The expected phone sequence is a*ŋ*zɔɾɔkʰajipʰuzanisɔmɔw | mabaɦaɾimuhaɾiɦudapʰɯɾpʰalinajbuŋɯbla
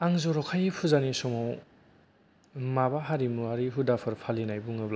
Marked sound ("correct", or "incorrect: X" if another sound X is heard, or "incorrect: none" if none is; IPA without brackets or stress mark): correct